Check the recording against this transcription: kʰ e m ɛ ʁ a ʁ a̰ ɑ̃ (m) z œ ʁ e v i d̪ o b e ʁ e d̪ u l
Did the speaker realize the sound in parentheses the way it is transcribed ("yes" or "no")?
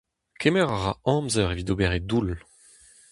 yes